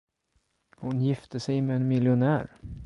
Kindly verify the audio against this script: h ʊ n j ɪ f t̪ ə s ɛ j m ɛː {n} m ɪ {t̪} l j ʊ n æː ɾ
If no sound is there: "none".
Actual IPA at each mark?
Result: n, none

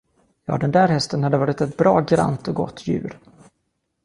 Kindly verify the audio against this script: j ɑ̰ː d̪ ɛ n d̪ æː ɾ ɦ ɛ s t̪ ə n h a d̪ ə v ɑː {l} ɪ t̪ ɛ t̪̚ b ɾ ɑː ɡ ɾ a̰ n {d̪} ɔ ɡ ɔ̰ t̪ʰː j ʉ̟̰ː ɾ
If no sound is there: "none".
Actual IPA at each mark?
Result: ɾ, t̪

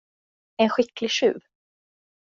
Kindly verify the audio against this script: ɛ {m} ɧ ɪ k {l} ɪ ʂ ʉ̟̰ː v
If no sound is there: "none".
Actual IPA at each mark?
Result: n, l

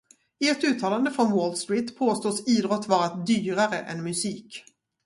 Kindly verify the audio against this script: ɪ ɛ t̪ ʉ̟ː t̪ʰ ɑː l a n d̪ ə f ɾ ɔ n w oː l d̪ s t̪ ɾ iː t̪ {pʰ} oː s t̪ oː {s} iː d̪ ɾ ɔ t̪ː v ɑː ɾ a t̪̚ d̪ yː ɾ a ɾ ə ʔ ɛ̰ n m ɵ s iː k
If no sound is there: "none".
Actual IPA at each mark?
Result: pʰ, s

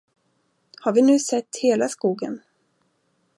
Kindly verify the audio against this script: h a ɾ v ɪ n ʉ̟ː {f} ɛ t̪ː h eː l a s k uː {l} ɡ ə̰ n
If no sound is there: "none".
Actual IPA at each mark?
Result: s, none

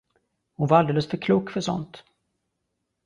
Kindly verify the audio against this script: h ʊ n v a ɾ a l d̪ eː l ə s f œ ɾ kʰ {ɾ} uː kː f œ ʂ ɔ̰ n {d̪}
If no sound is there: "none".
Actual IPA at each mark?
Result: l, t̪

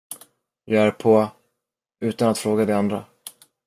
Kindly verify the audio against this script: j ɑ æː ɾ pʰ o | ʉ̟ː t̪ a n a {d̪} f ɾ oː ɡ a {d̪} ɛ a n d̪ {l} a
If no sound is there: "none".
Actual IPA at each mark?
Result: t̪, d̪, ɾ

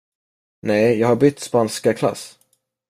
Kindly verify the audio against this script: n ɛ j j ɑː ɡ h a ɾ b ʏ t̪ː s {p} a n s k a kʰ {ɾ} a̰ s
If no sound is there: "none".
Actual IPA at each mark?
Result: p, l

